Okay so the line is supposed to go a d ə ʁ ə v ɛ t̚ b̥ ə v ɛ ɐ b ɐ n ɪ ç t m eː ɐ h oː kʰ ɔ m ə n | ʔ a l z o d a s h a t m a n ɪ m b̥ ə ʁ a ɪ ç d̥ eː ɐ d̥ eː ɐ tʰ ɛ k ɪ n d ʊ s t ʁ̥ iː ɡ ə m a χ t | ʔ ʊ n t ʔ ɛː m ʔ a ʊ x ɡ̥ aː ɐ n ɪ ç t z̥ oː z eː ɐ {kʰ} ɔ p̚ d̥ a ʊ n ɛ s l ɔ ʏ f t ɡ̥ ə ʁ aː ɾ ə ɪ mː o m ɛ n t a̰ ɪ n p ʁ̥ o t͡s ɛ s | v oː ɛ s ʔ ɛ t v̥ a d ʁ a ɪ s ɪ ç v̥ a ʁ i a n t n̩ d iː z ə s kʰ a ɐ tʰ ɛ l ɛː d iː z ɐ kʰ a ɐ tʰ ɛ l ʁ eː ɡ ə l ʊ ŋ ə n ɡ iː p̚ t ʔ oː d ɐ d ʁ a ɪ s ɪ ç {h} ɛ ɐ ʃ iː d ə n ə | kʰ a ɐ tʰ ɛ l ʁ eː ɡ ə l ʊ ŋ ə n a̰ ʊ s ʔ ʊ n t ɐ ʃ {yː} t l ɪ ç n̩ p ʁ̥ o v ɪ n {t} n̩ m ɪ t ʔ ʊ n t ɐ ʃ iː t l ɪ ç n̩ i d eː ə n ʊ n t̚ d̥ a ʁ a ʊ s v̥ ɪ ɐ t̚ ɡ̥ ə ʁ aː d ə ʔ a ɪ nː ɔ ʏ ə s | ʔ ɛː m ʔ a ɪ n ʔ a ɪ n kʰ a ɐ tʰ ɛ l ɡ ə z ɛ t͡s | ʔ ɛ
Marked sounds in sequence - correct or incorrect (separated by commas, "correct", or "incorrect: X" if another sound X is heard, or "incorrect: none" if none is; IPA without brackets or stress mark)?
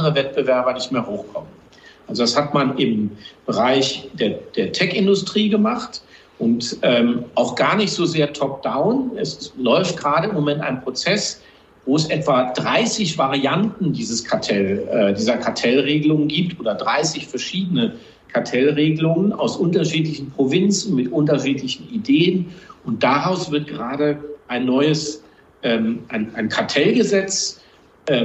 incorrect: tʰ, incorrect: f, incorrect: iː, incorrect: t͡s